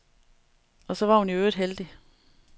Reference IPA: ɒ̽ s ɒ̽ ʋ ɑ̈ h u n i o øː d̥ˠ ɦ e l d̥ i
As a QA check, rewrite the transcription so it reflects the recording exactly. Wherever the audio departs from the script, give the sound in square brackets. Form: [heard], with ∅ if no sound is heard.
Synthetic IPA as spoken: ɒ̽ s ɒ̽ ʋ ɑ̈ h u n [j] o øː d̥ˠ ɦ e l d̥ i